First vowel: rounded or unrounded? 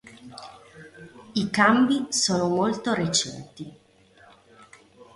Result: unrounded